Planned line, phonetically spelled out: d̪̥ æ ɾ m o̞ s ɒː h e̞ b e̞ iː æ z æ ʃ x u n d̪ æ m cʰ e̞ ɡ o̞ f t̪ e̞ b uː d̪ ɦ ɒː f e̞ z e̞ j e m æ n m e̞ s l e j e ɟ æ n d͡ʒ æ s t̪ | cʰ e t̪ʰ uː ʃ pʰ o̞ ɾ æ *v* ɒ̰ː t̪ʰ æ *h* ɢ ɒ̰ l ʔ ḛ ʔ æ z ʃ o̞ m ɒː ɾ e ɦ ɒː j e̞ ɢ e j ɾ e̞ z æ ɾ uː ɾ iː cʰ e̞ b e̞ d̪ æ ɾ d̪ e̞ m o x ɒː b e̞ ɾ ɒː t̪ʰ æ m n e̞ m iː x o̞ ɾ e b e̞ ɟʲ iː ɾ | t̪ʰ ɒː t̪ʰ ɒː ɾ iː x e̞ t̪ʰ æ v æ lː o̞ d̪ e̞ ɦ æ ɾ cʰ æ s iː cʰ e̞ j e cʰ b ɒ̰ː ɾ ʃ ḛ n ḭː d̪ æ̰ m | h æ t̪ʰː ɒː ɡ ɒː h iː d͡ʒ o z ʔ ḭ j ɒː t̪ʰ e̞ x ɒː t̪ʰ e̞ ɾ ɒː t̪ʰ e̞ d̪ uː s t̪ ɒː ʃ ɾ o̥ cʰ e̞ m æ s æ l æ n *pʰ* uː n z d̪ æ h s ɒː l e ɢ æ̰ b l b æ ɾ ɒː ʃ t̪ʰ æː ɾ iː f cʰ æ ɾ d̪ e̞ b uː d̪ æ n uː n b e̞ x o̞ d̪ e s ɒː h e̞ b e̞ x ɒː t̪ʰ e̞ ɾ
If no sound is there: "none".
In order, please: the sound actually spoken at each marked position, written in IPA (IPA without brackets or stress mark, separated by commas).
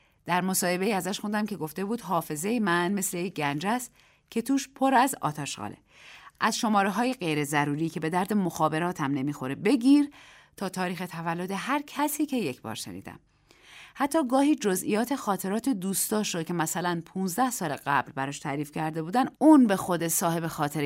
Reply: z, ʃ, pʰ